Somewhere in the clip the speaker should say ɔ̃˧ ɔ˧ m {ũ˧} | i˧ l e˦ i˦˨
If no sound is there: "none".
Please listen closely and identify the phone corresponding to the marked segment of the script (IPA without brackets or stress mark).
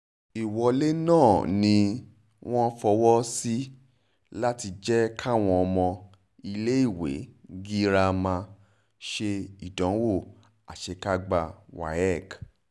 ɔ̃˧